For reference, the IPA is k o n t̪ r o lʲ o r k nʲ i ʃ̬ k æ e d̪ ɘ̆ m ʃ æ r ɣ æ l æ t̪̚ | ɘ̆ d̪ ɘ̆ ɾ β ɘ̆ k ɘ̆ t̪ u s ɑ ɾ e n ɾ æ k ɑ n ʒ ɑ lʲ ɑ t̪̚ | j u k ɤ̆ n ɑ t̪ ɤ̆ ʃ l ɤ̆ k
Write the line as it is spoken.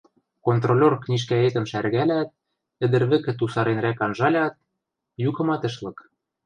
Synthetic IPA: k o n t̪ r o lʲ o r k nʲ i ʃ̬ k æ e t̪ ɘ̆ m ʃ æ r ɣ æ l æ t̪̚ | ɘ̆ d̪ ɘ̆ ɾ β ɘ̆ k ɘ̆ t̪ u s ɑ ɾ e n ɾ æ k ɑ n ʒ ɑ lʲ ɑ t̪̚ | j u k ɤ̆ m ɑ t̪ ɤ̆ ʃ l ɤ̆ k